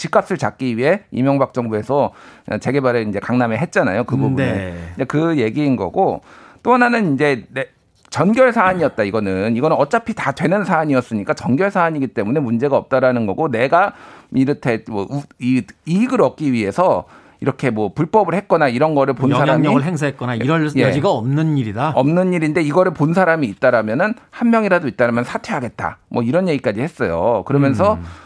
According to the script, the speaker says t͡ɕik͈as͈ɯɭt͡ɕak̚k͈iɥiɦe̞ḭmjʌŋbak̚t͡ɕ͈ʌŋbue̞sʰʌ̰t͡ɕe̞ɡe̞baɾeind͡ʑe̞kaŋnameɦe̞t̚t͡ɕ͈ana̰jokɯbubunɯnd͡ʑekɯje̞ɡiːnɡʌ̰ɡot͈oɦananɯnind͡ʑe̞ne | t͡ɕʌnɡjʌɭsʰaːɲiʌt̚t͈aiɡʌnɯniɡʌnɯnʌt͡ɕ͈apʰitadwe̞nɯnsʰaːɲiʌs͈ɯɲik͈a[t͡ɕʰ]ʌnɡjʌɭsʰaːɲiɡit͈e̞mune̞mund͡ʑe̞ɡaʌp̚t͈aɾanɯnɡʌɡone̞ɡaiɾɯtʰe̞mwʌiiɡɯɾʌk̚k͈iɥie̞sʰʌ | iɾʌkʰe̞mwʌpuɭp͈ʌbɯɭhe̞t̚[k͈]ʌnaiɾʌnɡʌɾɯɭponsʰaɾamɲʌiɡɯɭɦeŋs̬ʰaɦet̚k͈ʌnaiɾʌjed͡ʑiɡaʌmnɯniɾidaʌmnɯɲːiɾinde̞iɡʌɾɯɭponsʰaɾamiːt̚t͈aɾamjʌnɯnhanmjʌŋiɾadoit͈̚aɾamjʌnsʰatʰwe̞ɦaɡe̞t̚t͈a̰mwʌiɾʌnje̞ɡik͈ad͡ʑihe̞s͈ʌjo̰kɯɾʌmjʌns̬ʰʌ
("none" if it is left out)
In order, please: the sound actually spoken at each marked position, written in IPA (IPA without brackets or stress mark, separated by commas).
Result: t͡ɕ, k͈